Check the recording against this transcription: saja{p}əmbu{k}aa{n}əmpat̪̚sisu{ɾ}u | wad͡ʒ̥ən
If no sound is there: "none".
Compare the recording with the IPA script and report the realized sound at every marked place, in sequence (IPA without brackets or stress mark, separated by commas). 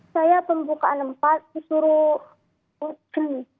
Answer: p, k, n, ɾ